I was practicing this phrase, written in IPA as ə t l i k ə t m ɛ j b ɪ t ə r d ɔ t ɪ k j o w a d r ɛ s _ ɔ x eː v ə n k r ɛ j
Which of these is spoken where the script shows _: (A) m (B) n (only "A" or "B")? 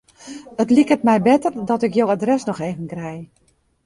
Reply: B